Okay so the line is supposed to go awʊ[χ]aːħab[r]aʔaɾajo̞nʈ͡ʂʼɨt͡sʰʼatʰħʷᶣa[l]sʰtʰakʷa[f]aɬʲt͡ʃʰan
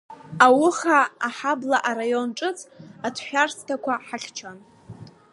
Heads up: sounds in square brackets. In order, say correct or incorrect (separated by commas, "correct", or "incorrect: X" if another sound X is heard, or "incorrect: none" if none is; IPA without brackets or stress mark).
correct, incorrect: l, incorrect: r, incorrect: ħ